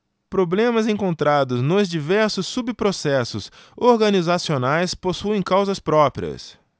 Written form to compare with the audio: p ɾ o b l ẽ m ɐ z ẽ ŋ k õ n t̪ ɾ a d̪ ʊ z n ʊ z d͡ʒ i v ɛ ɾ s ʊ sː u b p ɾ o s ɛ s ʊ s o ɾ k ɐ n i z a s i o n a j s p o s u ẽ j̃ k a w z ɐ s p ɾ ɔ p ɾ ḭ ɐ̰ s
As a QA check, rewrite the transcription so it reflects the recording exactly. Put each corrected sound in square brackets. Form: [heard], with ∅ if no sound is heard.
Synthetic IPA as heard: p ɾ o b l ẽ m ɐ z ẽ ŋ k õ n t̪ ɾ a d̪ ʊ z n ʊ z d͡ʒ i v ɛ ɾ s ʊ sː u b p ɾ o s ɛ s ʊ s o ɾ [ɡ] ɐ n i z a s i o n a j s p o s u ẽ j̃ k a w z ɐ s p ɾ ɔ p ɾ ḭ ɐ̰ s